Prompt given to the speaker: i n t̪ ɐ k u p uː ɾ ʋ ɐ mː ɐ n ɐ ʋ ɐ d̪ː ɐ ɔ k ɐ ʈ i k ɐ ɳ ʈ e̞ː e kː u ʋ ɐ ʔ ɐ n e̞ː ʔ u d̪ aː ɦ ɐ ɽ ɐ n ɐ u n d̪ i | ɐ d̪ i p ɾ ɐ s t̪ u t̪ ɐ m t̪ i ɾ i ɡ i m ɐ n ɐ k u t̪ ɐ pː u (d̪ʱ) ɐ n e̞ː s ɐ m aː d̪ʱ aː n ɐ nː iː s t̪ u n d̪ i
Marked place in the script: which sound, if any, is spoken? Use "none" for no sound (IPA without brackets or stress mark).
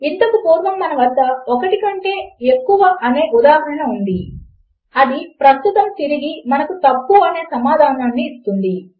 none